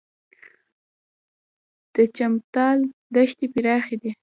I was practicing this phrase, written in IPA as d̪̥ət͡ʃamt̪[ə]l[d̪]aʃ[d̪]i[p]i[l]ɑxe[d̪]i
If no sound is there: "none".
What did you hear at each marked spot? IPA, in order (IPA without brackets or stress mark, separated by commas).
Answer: ɑ, d̪, t̪, p, ɾ, d̪